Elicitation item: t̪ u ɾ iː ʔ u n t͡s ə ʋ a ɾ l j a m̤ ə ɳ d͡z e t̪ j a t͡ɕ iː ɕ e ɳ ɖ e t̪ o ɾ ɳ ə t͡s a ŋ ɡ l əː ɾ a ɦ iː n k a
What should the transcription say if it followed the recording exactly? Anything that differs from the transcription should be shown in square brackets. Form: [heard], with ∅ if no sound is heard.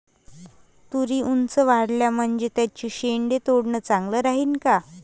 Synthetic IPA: t̪ u ɾ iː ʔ u n t͡s ə ʋ a [ɽ] l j a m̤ ə ɳ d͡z e t̪ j a t͡ɕ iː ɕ e ɳ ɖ e t̪ o [ɽ] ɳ ə t͡s a ŋ ɡ l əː ɾ a ɦ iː n k a